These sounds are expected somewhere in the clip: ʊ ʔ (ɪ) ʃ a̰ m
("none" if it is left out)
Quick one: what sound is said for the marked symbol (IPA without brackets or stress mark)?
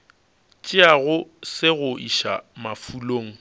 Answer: i